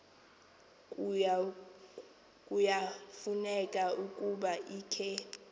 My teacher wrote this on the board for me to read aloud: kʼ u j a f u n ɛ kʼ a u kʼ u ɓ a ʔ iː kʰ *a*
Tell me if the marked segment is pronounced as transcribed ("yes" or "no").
no